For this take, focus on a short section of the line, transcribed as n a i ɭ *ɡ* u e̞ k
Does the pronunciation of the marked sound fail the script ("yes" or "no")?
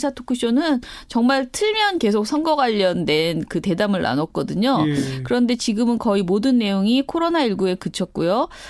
no